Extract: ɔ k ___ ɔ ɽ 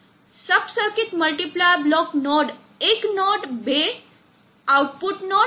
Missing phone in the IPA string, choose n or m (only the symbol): n